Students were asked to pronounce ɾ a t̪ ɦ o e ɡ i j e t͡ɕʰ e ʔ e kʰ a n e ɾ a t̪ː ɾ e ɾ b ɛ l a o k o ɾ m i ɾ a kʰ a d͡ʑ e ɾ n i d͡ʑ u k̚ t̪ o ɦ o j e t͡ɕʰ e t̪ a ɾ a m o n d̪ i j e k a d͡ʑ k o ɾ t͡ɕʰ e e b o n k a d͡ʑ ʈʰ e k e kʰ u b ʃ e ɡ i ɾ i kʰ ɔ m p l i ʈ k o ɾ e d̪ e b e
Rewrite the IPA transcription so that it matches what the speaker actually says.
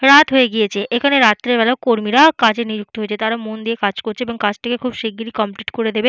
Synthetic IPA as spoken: ɾ a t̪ ɦ o e ɡ i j e t͡ɕʰ e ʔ e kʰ a n e ɾ a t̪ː ɾ e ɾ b ɛ l a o k o ɾ m i ɾ a k a d͡ʑ e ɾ n i d͡ʑ u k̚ t̪ o ɦ o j e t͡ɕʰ e t̪ a ɾ a m o n d̪ i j e k a d͡ʑ k o ɾ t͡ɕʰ e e b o ŋ k a d͡ʑ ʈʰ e k e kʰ u b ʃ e ɡ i ɾ i k ɔ m p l i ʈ k o ɾ e d̪ e b e

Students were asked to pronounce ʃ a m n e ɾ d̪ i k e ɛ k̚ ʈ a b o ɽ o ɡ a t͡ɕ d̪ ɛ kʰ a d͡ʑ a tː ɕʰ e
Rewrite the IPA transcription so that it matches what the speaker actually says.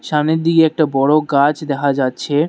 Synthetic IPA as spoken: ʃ a m n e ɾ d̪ i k e ɛ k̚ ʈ a b ɔ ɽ o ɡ a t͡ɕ d̪ ɛ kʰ a d͡ʑ a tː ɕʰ e

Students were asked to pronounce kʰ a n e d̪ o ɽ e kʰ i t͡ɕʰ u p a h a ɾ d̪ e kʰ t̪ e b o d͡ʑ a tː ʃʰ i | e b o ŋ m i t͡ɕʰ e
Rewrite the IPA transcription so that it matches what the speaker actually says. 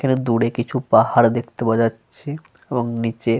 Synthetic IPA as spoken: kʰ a n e d̪ u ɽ e k i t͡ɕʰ u p a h a ɾ d̪ e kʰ t̪ e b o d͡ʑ a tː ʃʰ e | e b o ŋ n i t͡ɕ e

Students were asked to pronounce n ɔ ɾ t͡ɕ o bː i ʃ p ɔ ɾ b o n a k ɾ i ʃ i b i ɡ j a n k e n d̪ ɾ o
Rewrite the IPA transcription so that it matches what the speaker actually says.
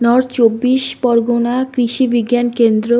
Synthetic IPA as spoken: n ɔ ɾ t͡ɕ o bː i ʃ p ɔ ɾ ɡ o n a k ɾ i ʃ i b i ɡ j a n k e n d̪ ɾ o

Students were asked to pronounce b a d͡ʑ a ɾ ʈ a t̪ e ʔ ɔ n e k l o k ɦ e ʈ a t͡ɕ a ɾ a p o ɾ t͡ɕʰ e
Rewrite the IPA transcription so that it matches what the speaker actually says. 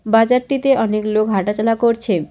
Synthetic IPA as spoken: b a d͡ʑ a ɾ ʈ i t̪ e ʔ ɔ n e k l o k ɦ a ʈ a t͡ɕ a l a k o ɾ t͡ɕʰ e

